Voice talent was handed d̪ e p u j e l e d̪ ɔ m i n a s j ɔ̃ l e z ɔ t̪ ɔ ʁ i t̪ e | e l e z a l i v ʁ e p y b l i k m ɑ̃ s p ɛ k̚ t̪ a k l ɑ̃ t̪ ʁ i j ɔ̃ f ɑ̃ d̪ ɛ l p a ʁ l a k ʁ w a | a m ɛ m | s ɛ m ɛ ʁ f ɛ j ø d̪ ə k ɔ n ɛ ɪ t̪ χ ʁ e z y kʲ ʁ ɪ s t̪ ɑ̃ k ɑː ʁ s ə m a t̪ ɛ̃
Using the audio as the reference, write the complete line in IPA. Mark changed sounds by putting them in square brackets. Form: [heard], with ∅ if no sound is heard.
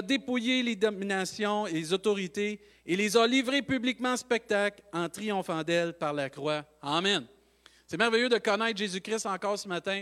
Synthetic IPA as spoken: d̪ e p u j e l e d̪ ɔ m i n a s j ɔ̃ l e z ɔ t̪ ɔ ʁ i t̪ e | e l e z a l i v ʁ e p y b l i k m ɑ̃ s p ɛ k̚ t̪ a k l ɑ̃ t̪ ʁ i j ɔ̃ f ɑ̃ d̪ ɛ l p a ʁ l a k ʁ w a | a m ɛ [n] | s ɛ m ɛ ʁ [v] ɛ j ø d̪ ə k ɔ n ɛ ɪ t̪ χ [ʒ] e z y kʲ ʁ ɪ s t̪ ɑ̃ k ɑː ʁ s ə m a t̪ ɛ̃